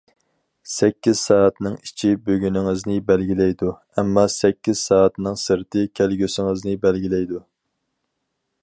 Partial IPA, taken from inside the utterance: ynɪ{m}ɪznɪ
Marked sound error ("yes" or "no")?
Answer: yes